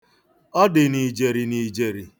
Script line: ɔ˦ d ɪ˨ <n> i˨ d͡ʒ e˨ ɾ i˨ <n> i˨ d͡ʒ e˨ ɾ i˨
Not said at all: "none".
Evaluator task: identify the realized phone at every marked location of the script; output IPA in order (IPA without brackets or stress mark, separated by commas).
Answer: n, n